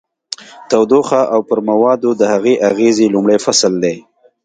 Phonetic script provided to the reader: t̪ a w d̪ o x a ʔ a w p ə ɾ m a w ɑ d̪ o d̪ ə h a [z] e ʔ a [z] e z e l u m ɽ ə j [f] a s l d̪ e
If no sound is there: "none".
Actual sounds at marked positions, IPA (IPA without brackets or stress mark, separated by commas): ɣ, ɣ, f